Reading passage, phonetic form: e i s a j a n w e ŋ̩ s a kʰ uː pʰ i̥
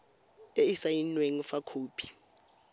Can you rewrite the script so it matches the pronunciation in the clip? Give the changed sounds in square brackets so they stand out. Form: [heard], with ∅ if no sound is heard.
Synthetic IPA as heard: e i s a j [i] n w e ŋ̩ [f] a kʰ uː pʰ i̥